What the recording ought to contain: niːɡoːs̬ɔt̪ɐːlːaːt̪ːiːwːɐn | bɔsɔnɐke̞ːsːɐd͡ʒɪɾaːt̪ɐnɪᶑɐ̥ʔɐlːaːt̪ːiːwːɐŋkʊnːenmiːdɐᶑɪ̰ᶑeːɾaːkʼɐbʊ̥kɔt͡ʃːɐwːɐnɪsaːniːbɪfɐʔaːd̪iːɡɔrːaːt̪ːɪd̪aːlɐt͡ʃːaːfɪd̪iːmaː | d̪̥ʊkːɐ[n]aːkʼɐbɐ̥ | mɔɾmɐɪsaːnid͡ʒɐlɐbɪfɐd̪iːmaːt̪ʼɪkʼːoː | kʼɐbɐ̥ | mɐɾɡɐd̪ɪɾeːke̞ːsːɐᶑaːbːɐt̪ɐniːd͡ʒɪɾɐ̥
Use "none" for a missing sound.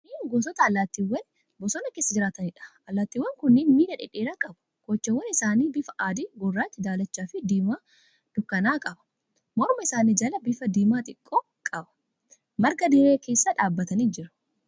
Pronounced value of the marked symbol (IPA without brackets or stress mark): n